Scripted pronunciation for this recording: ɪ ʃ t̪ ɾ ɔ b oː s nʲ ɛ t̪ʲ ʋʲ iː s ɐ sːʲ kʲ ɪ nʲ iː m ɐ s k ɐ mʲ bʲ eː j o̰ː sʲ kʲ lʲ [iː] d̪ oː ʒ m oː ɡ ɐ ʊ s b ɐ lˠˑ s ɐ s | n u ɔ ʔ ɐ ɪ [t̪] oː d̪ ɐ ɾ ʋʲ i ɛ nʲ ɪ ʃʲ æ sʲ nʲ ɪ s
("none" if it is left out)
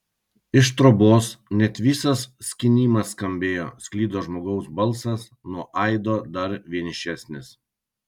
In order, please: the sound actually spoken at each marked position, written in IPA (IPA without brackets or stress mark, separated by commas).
iː, d̪